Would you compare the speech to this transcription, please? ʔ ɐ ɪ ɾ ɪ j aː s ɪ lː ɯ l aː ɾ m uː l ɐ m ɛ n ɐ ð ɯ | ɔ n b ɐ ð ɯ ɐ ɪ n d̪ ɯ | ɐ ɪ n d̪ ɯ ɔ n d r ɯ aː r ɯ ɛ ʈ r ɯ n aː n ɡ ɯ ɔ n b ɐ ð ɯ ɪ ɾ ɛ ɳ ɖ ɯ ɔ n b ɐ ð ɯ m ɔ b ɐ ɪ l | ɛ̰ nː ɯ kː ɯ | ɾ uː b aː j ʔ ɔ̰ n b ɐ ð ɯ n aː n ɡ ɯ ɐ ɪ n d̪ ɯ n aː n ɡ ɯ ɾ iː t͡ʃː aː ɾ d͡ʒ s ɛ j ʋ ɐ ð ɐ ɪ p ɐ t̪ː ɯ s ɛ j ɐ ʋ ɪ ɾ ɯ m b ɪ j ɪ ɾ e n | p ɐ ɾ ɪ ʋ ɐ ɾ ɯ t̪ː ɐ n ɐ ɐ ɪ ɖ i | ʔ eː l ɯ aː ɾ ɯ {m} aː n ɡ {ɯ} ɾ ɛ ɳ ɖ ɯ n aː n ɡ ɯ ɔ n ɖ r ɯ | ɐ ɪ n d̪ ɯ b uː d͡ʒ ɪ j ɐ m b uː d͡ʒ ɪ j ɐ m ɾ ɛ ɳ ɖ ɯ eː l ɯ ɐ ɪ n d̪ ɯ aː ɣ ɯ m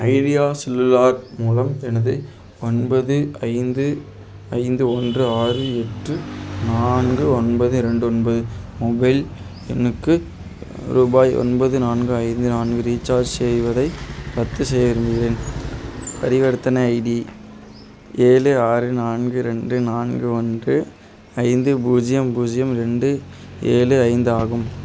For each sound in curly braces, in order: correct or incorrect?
incorrect: n, correct

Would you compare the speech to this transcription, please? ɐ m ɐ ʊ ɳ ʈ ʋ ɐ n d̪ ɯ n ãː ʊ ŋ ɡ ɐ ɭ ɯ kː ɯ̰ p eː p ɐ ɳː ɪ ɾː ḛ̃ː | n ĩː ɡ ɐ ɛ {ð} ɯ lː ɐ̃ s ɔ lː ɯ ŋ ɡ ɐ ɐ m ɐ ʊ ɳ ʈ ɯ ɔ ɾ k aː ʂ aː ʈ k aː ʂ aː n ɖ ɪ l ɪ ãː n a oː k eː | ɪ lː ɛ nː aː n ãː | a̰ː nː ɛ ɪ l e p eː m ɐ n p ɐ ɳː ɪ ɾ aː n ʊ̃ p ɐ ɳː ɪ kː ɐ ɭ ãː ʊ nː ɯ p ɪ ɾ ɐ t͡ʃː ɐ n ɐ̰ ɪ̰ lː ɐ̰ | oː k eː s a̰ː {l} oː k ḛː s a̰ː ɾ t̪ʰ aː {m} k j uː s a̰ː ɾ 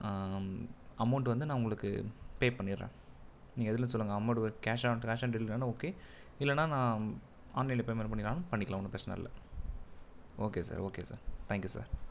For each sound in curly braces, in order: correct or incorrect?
correct, incorrect: ɾ, incorrect: ŋ

